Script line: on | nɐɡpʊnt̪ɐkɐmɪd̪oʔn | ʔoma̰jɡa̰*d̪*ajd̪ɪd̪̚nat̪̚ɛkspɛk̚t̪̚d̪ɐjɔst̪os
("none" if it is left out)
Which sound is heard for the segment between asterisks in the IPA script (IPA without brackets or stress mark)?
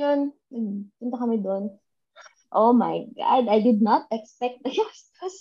d̪